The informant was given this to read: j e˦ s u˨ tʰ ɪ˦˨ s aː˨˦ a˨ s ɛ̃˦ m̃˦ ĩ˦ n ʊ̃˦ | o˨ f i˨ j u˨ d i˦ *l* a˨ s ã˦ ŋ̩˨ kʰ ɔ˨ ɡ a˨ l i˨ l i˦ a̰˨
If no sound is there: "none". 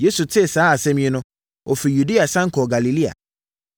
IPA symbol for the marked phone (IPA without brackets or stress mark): none